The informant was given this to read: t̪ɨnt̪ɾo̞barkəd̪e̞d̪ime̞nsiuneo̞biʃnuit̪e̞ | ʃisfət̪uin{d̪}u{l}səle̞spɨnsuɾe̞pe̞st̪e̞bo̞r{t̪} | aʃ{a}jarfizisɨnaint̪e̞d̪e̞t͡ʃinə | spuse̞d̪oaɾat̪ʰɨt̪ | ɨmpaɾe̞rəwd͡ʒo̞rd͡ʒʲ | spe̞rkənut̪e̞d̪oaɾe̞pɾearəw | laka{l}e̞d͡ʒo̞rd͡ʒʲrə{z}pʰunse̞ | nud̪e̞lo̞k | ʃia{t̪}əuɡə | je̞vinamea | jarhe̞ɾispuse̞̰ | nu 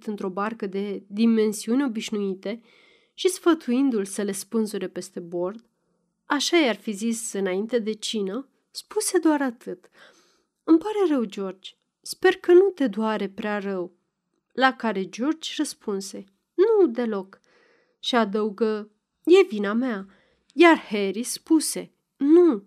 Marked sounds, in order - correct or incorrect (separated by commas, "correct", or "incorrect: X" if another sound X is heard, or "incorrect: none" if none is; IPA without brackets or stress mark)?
correct, correct, incorrect: d̪, correct, incorrect: ɾ, incorrect: s, incorrect: d̪